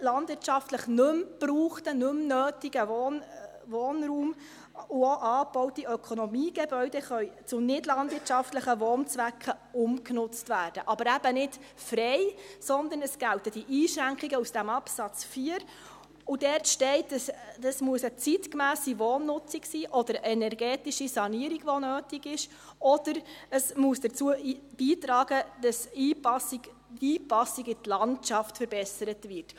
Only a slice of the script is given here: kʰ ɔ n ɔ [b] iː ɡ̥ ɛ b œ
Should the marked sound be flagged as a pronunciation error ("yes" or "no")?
yes